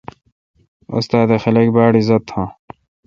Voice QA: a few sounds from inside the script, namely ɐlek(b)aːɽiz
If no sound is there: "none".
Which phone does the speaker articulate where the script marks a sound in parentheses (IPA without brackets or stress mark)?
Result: b